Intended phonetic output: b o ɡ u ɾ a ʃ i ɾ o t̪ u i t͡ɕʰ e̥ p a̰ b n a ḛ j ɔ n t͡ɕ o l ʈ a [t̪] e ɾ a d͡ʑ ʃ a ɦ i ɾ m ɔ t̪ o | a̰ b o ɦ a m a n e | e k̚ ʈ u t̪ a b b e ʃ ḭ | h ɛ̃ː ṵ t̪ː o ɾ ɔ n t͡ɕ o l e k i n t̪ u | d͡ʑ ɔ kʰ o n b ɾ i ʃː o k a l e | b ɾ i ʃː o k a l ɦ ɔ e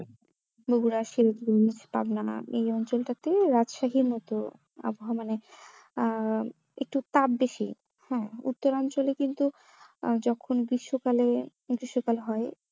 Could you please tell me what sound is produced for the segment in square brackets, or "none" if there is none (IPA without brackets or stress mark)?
t̪